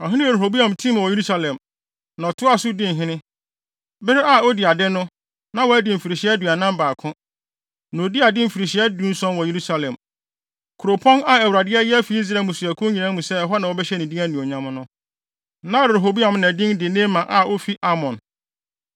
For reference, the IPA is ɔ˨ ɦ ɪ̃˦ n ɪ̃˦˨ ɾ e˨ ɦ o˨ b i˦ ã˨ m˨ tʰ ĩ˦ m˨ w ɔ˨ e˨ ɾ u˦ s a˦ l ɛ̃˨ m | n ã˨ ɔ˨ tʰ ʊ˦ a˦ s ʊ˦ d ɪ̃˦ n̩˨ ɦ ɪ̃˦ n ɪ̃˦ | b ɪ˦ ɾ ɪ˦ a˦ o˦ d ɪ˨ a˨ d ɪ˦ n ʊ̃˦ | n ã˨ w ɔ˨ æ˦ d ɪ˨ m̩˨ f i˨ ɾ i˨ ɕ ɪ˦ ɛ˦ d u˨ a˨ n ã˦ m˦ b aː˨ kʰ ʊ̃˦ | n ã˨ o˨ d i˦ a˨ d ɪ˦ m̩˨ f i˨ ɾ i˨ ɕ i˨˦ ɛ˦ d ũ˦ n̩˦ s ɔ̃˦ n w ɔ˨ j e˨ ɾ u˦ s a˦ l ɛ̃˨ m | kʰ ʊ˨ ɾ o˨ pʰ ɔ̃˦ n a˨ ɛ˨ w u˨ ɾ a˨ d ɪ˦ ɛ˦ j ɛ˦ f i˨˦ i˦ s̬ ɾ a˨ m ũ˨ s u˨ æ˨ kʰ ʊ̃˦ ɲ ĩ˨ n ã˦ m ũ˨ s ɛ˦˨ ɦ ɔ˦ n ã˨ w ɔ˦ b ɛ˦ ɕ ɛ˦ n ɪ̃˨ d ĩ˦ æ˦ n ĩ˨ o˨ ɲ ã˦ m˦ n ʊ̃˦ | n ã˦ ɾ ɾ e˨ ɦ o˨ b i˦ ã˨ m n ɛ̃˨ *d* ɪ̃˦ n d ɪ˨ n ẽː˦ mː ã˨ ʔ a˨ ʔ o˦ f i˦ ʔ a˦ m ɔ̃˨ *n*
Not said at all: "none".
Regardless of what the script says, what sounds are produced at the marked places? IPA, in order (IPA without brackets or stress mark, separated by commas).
d, n